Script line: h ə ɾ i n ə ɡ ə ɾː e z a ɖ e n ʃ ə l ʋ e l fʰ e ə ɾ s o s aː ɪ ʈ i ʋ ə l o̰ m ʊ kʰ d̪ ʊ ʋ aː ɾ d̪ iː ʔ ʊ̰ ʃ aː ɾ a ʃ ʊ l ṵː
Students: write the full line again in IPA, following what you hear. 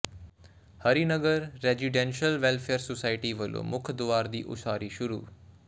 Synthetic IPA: h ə ɾ i n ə ɡ ə ɾː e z i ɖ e n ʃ ə l ʋ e l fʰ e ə ɾ s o s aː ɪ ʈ i ʋ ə l o̰ m ʊ kʰ d̪ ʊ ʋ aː ɾ d̪ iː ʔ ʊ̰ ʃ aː ɾ i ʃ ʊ ɾ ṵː